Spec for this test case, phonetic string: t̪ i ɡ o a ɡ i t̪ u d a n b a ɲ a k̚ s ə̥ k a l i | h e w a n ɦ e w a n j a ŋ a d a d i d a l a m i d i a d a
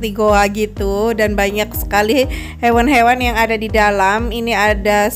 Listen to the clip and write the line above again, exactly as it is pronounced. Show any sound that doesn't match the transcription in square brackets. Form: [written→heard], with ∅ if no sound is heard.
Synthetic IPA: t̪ i ɡ o a ɡ i t̪ u d a n b a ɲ a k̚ s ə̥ k a l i | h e w a n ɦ e w a n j a ŋ a d a d i d a l a m i [d→n] i a d a